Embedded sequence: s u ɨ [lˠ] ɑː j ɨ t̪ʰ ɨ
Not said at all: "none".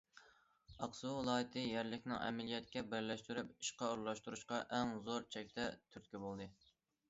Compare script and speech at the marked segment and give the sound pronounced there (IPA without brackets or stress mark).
lˠ